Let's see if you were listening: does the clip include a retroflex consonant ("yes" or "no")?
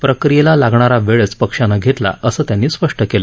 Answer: yes